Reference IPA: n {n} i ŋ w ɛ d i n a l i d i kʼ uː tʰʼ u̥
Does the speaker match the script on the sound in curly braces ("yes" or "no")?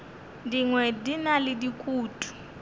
no